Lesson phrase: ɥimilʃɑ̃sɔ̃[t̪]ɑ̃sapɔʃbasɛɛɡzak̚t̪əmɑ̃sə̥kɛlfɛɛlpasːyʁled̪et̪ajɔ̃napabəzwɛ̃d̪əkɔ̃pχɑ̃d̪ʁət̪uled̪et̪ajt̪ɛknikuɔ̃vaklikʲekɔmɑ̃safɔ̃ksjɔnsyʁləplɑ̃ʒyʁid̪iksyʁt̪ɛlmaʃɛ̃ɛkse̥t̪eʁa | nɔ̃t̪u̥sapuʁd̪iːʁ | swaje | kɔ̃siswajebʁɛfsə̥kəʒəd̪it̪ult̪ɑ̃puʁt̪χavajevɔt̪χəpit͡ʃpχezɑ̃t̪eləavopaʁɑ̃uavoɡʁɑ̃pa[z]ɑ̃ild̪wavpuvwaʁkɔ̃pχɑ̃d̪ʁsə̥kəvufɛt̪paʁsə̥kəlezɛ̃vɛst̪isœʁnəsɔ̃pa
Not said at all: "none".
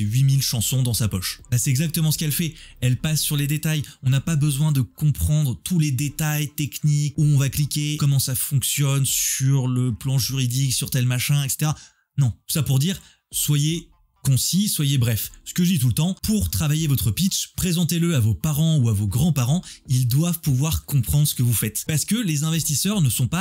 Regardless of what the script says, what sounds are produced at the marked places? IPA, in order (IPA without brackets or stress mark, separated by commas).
d̪, ʁ